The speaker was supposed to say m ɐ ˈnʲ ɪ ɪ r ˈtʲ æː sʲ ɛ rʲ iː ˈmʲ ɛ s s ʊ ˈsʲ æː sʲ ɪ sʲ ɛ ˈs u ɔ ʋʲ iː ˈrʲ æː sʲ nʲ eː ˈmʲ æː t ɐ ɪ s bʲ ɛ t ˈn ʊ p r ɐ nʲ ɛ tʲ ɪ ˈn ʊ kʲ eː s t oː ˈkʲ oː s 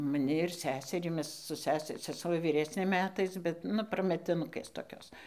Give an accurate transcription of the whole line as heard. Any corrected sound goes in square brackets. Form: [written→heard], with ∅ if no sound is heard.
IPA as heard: m ɐ ˈnʲ ɪ ɪ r [ˈtʲ→ˈsʲ] æː sʲ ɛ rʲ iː ˈmʲ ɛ s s ʊ ˈsʲ æː sʲ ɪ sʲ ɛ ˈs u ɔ ʋʲ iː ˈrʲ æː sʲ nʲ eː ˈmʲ æː t ɐ ɪ s bʲ ɛ t ˈn ʊ p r ɐ [nʲ→mʲ] ɛ tʲ ɪ ˈn ʊ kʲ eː s t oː ˈkʲ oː s

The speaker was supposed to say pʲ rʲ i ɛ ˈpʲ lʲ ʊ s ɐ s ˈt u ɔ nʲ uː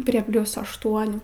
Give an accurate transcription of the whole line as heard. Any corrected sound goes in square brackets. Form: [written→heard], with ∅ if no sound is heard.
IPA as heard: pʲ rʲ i ɛ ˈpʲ lʲ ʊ s ɐ [s→ʃ] ˈt u ɔ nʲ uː

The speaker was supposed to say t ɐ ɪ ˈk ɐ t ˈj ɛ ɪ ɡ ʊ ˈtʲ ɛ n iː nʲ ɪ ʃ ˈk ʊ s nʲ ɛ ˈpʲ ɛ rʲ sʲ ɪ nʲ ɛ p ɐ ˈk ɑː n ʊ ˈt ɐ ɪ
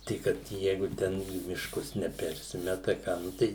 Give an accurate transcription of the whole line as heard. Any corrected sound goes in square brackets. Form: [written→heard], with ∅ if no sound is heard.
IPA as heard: t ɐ ɪ ˈk ɐ t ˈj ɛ ɪ ɡ ʊ ˈtʲ ɛ n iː [nʲ→mʲ] ɪ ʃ ˈk ʊ s nʲ ɛ ˈpʲ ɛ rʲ sʲ ɪ [nʲ→mʲ] ɛ [p→t] ɐ ˈk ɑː n ʊ ˈt ɐ ɪ

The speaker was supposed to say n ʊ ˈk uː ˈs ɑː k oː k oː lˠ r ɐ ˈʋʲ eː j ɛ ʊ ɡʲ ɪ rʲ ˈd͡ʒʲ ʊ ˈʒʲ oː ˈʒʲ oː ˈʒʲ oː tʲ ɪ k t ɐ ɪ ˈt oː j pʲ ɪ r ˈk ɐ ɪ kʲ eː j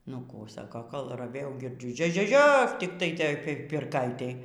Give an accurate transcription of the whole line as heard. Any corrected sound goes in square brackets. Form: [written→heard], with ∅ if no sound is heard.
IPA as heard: n ʊ ˈk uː ˈs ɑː k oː k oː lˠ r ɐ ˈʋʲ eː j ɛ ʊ ɡʲ ɪ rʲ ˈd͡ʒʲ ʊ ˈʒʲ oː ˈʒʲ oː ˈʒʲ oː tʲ ɪ k t ɐ ɪ ˈt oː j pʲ ɪ r ˈk ɐ ɪ [kʲ→tʲ] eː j

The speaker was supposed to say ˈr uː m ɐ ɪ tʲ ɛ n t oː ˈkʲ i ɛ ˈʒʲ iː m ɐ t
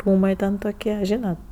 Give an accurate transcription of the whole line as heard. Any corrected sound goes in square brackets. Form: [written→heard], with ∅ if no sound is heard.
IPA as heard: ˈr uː m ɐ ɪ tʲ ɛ n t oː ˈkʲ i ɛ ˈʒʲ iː [m→n] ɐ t

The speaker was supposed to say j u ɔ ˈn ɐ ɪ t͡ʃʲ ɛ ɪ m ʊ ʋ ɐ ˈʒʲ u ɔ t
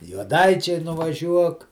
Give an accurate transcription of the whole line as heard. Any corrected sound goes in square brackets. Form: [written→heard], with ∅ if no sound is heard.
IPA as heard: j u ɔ [ˈn→ˈd] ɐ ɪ t͡ʃʲ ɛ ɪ [m→n] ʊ ʋ ɐ ˈʒʲ u ɔ [t→k]

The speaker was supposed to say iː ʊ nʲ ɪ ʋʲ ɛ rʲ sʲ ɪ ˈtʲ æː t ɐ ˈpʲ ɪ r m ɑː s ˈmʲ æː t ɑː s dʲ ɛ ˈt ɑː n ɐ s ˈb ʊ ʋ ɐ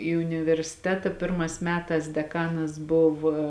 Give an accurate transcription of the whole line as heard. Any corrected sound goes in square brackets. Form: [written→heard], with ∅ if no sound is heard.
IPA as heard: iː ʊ nʲ ɪ ʋʲ ɛ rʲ sʲ ɪ ˈtʲ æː t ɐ ˈpʲ ɪ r m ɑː s ˈmʲ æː t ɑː s dʲ ɛ [ˈt→ˈk] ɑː n ɐ s ˈb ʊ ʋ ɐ

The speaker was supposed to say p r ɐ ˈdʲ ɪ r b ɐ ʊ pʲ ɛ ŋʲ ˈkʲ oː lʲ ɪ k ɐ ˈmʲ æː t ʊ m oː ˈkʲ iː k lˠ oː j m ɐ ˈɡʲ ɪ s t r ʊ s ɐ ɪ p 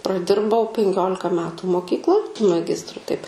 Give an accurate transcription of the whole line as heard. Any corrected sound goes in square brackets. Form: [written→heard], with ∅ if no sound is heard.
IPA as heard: p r ɐ ˈdʲ ɪ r b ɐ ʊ pʲ ɛ ŋʲ ˈkʲ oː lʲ ɪ k ɐ ˈmʲ æː t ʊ m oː ˈkʲ iː k lˠ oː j m ɐ ˈɡʲ ɪ s t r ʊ [s→t] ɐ ɪ p

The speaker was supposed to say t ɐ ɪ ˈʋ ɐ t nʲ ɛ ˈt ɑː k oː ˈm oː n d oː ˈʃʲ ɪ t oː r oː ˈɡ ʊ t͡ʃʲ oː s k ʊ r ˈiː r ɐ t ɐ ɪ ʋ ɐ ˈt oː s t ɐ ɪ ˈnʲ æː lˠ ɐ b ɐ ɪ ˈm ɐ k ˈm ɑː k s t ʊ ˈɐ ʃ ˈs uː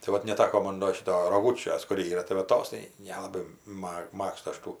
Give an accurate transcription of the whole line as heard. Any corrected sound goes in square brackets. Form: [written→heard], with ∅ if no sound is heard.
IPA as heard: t ɐ ɪ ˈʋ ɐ t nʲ ɛ ˈt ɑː k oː ˈm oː n d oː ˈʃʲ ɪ t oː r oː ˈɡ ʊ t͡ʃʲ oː s k ʊ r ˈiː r ɐ t ɐ ɪ ʋ ɐ ˈt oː s t ɐ ɪ ˈnʲ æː lˠ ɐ b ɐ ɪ ˈm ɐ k ˈm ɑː k s t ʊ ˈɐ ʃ [ˈs→ˈt] uː

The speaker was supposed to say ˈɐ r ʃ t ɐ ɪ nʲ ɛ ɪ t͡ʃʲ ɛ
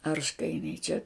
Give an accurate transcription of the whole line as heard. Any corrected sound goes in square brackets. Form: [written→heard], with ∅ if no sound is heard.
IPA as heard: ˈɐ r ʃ [t→k] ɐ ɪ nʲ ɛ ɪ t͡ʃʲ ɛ

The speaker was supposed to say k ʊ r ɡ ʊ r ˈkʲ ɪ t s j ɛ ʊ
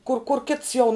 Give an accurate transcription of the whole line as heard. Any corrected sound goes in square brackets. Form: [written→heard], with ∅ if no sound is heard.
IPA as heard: k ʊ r [ɡ→k] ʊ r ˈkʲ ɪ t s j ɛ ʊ

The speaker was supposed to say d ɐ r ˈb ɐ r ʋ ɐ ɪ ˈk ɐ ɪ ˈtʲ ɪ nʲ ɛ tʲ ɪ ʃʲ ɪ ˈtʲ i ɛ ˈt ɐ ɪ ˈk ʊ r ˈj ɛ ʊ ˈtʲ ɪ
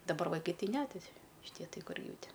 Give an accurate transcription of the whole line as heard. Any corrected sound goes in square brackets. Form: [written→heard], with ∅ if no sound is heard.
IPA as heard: d ɐ [r→∅] ˈb ɐ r ʋ ɐ ɪ ˈk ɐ ɪ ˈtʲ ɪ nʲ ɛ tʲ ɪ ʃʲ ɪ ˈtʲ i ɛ ˈt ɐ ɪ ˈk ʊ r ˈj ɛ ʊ ˈtʲ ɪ

